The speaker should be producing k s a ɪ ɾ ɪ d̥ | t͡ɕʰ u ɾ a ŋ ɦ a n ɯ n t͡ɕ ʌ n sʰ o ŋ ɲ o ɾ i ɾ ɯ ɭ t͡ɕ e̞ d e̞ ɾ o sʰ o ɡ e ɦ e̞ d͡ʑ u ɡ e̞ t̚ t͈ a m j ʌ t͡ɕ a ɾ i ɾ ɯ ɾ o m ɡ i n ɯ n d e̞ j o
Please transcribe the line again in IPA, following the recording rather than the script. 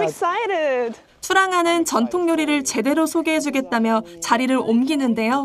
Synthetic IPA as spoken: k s a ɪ ɾ ɪ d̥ | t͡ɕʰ u ɾ a ŋ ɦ a n ɯ n t͡ɕ ʌ n tʰ o ŋ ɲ o ɾ i ɾ ɯ ɭ t͡ɕ e̞ d e̞ ɾ o sʰ o ɡ e ɦ e̞ d͡ʑ u ɡ e̞ t̚ t͈ a m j ʌ t͡ɕ a ɾ i ɾ ɯ ɾ o m ɡ i n ɯ n d e̞ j o